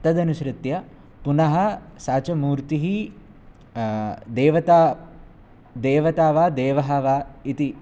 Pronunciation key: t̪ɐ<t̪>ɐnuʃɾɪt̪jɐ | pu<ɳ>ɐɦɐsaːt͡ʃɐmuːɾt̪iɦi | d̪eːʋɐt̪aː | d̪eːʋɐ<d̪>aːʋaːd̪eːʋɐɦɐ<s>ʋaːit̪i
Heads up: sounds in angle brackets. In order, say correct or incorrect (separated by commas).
incorrect, incorrect, incorrect, incorrect